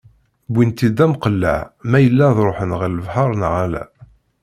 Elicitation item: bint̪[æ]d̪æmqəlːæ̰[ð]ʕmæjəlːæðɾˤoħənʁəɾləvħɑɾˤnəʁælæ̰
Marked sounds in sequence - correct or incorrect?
incorrect: i, incorrect: none

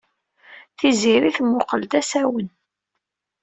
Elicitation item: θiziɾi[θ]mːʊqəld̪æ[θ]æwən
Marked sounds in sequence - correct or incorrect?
correct, incorrect: s

